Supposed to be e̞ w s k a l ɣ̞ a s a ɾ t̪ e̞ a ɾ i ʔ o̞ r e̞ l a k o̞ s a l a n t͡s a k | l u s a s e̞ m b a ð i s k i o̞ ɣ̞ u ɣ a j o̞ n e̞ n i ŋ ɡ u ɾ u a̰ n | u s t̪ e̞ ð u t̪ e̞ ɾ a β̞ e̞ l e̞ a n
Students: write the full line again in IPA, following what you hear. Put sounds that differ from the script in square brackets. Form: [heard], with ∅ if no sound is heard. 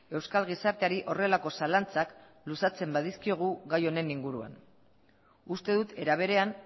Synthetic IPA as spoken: e̞ w s k a l ɣ̞ [i] s a ɾ t̪ e̞ a ɾ i ʔ o̞ r e̞ l a k o̞ s a l a n t͡s a k | l u s a [t͡s] e̞ m b a ð i s k i o̞ ɣ̞ u ɣ a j o̞ n e̞ n i ŋ ɡ u ɾ u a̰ n | u s t̪ e̞ ð u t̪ e̞ ɾ a β̞ e̞ [ɾ] e̞ a n